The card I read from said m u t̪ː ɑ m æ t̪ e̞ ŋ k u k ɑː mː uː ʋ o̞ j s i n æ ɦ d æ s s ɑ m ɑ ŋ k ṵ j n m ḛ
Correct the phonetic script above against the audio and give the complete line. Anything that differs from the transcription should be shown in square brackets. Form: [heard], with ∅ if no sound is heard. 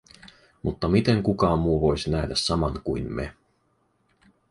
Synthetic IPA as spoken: m u t̪ː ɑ m [i] t̪ e̞ ŋ k u k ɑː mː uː ʋ o̞ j s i n æ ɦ d æ s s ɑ m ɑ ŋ k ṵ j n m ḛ